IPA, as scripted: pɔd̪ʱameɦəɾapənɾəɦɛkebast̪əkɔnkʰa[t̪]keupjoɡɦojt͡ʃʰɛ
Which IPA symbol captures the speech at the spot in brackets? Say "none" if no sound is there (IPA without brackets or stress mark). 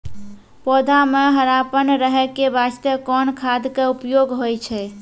d̪